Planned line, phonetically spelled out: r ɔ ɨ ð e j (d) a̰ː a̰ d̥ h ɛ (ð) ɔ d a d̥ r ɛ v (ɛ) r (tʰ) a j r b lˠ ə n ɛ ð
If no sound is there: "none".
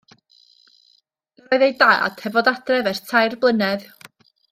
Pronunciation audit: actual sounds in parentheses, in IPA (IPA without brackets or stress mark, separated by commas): d, v, ɛ, tʰ